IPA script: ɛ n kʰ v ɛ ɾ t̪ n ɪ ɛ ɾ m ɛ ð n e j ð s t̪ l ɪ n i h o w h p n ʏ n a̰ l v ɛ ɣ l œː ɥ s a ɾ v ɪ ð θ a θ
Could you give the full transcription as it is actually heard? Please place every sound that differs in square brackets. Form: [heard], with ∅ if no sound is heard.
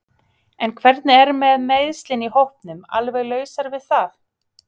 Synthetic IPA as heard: ɛ n kʰ v ɛ ɾ t̪ n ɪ ɛ ɾ m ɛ ð [m] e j ð s t̪ l ɪ n i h o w h p n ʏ [m] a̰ l v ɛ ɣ l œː ɥ s a ɾ v ɪ ð θ a θ